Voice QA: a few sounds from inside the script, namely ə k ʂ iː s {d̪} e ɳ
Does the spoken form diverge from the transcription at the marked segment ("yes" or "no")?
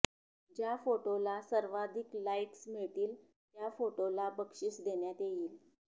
no